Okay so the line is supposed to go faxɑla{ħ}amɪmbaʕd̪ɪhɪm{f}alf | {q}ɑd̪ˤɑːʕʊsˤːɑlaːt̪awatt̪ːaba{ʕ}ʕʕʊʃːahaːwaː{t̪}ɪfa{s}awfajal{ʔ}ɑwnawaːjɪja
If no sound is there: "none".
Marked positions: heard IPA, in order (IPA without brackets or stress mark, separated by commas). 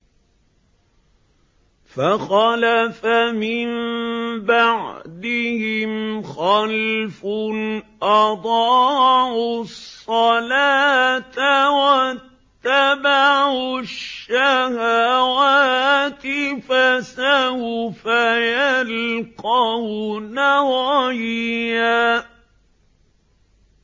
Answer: f, x, ʔ, ʕ, t̪, s, q